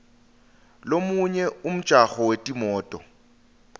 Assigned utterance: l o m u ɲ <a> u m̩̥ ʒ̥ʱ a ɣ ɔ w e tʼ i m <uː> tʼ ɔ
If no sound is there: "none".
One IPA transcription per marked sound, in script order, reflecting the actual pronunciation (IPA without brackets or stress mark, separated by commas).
ɛ, ɔː